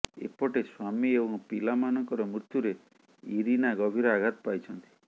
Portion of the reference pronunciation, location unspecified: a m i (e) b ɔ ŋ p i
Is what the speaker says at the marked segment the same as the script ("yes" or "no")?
yes